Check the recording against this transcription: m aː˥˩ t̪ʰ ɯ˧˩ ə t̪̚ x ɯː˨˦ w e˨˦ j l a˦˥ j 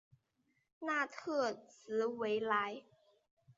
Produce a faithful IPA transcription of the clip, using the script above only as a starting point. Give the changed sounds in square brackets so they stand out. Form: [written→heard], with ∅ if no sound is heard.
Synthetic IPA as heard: [m→n] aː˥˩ t̪ʰ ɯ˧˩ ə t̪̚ [x→s] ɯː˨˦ w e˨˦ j l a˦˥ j